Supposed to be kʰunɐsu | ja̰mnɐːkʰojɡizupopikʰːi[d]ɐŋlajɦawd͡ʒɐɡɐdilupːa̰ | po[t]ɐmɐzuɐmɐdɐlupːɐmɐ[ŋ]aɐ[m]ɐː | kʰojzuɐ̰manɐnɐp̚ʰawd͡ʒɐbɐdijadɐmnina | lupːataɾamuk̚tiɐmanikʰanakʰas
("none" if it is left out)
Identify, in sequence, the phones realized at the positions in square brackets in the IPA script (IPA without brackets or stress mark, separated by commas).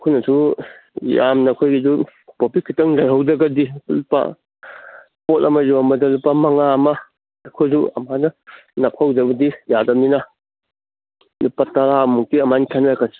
t, t, ŋ, m